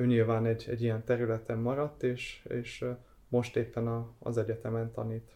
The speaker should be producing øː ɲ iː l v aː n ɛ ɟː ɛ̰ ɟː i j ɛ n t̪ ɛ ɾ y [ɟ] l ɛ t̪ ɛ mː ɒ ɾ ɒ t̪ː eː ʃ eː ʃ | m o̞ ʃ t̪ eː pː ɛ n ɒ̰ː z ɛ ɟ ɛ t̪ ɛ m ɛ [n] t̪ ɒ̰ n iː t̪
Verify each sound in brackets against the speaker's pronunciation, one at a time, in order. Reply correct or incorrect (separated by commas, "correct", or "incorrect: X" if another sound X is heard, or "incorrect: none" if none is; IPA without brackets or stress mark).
incorrect: none, correct